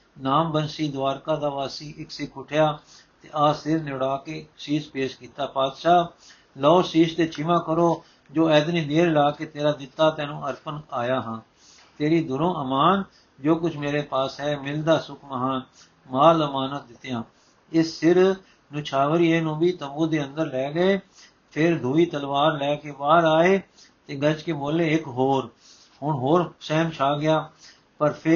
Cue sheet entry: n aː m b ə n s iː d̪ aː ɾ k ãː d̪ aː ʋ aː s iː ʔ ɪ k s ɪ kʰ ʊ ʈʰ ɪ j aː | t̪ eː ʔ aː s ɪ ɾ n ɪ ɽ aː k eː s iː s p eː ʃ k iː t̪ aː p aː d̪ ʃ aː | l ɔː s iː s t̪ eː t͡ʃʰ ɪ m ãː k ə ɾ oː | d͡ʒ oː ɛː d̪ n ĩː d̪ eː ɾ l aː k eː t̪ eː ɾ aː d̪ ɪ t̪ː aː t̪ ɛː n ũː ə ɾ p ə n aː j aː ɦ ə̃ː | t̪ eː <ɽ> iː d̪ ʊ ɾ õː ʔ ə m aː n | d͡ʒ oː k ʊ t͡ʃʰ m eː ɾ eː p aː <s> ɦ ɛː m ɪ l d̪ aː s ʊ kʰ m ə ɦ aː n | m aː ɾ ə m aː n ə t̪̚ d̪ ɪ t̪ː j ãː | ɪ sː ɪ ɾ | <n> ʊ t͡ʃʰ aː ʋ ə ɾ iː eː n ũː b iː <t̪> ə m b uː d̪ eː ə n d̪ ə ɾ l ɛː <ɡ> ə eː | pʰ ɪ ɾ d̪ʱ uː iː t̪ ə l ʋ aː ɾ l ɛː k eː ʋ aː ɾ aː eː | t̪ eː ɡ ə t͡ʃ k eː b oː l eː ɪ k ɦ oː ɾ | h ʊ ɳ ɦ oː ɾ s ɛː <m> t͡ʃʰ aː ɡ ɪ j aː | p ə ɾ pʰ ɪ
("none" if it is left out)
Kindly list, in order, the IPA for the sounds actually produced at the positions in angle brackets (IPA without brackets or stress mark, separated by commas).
ɾ, s, n, t̪, ɡ, m